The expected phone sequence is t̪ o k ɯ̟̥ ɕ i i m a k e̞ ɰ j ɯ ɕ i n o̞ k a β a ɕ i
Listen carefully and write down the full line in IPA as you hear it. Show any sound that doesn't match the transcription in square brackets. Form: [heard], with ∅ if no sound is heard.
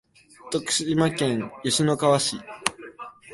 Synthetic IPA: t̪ o k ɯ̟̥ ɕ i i m a k [ẽ̞] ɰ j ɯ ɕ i n o̞ k a β a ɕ i